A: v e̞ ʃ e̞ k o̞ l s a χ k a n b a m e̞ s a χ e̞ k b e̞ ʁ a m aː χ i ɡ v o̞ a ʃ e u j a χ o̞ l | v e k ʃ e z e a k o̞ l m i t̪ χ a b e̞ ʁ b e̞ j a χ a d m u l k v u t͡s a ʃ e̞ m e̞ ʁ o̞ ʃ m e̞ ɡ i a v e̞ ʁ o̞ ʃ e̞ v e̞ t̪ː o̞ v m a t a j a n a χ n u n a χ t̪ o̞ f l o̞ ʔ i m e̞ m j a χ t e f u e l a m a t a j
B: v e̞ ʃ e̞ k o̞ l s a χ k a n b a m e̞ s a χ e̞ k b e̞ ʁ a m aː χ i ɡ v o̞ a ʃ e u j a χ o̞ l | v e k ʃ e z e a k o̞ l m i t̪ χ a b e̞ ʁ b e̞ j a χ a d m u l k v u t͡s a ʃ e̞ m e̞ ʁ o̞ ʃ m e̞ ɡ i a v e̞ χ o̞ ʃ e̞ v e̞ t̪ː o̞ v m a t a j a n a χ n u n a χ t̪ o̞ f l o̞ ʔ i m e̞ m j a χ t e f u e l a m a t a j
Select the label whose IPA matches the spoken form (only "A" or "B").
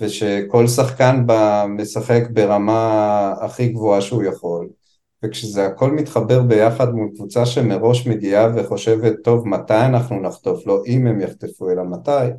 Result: B